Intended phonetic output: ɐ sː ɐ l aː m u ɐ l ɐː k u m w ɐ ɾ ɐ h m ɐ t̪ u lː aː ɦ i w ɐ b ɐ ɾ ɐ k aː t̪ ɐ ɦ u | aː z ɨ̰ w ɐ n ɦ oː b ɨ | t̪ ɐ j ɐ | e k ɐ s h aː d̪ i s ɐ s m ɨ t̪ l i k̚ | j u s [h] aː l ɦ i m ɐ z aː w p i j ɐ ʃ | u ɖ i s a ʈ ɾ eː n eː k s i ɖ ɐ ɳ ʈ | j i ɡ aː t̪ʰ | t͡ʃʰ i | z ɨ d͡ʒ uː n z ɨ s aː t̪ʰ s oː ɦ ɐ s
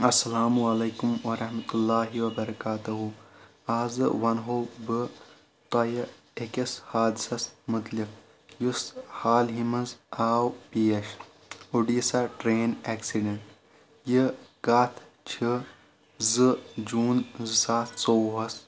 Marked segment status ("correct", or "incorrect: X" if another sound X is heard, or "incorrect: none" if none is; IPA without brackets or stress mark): correct